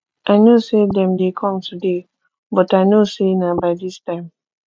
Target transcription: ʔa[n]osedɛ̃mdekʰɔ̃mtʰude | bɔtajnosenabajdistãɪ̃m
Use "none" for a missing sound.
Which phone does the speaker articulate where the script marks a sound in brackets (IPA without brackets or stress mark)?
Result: n